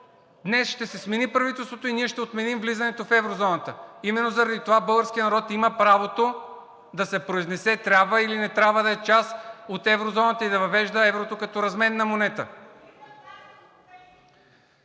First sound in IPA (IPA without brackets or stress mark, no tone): d̪